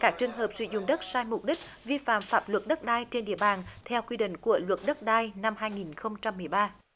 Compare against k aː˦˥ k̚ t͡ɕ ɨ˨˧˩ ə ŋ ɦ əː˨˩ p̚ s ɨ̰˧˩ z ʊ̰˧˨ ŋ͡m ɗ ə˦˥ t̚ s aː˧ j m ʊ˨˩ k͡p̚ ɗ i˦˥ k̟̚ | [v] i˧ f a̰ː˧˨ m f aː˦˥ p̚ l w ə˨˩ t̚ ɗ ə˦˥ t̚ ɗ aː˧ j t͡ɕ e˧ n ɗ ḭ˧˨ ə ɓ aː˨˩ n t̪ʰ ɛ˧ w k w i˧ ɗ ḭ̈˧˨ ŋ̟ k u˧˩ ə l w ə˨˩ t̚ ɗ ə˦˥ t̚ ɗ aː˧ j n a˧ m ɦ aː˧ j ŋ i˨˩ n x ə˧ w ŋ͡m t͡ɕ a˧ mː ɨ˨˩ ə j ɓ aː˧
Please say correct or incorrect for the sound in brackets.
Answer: correct